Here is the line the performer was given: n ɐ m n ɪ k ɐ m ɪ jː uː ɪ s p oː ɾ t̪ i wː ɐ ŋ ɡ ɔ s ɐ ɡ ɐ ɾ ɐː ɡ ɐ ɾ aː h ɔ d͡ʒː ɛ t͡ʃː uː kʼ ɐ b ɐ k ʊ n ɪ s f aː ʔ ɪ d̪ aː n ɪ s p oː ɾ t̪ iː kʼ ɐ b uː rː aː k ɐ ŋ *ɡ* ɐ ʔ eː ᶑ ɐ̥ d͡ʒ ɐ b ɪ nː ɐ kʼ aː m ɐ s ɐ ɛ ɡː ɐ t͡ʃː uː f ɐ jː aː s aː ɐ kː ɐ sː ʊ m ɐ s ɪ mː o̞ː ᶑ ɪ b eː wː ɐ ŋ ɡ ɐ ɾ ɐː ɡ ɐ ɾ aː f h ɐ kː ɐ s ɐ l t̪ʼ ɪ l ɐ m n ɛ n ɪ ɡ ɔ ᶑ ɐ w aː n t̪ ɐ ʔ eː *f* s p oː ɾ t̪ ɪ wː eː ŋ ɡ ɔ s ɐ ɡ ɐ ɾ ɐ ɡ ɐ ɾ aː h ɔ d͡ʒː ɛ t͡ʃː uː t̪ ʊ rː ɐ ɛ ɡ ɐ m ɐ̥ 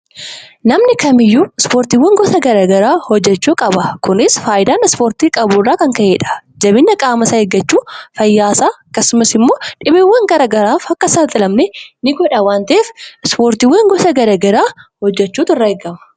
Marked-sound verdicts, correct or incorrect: incorrect: k, correct

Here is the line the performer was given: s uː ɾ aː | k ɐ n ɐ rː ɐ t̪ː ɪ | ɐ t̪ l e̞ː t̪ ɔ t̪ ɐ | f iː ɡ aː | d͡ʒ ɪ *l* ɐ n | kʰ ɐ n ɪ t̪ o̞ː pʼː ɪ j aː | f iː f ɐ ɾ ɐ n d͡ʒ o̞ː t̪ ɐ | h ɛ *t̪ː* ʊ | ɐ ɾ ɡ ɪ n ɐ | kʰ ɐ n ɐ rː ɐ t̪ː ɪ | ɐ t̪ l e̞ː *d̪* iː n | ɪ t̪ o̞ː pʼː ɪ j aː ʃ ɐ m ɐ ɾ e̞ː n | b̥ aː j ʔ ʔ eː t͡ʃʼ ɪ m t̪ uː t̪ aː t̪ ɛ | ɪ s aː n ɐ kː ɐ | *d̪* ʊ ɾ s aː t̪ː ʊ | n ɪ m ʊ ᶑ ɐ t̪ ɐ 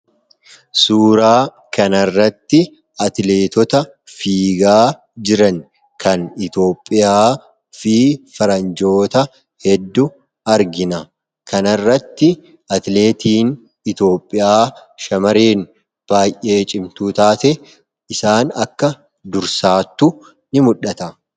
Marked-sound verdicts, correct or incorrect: incorrect: ɾ, incorrect: d̪ː, incorrect: t̪, correct

